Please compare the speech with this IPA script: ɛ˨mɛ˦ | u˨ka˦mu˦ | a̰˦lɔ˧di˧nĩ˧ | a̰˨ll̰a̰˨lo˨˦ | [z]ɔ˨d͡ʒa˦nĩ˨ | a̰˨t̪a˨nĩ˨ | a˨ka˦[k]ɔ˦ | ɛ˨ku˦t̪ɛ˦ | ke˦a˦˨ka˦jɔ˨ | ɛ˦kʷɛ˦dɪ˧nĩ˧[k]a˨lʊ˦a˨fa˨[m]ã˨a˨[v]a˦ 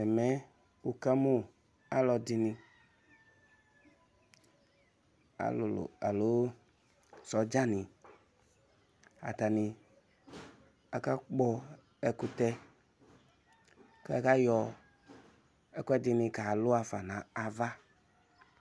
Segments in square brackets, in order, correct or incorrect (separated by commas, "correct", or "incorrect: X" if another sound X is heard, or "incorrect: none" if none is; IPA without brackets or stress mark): incorrect: s, incorrect: k͡p, correct, incorrect: n, correct